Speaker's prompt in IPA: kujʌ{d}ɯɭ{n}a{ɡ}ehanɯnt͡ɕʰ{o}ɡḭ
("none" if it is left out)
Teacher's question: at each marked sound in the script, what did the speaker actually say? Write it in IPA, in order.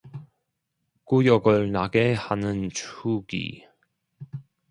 ɡ, n, ɡ, u

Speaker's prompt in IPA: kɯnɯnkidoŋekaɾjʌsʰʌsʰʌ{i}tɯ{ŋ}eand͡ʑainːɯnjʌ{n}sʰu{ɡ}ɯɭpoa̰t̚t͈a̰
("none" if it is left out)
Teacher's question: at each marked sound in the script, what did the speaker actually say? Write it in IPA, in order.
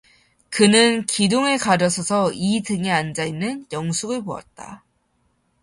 i, ŋ, ŋ, ɡ

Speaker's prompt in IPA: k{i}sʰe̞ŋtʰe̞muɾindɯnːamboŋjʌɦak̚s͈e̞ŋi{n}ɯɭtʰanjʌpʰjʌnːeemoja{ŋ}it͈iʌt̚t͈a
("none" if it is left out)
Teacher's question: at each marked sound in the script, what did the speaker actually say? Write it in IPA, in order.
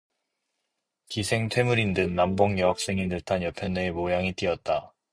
i, n, ŋ

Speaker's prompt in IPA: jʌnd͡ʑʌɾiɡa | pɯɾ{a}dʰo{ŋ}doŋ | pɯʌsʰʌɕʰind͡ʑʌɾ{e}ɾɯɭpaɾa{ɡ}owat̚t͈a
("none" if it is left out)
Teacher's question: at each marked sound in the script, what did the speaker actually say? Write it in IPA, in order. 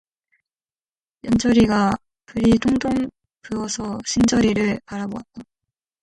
i, ŋ, i, b

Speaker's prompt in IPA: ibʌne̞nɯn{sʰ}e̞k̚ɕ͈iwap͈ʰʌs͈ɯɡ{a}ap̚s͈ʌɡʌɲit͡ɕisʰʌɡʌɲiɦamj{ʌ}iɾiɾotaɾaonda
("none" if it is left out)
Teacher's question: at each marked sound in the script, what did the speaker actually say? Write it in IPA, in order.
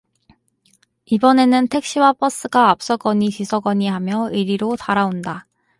tʰ, a, ʌ

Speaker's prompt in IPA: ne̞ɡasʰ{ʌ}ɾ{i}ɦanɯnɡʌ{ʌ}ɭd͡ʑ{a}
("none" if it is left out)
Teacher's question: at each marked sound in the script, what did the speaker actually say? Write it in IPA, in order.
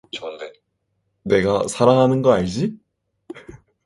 a, a, a, i

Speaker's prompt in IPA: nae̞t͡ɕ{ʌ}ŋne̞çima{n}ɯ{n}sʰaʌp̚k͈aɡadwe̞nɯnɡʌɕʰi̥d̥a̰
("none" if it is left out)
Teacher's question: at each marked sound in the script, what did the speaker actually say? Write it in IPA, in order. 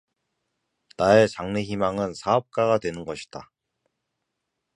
a, ŋ, n

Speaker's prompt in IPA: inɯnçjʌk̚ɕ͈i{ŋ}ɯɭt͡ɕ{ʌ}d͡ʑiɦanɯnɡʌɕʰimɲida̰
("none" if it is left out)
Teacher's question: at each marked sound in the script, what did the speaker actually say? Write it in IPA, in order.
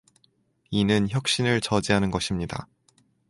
n, ʌ

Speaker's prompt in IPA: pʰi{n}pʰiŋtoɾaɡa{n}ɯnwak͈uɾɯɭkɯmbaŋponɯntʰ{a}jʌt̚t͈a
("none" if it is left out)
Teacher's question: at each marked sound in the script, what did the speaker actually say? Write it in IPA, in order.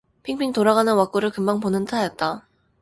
ŋ, n, a

